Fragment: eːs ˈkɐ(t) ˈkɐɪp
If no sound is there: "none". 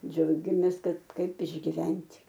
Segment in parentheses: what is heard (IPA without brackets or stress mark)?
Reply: t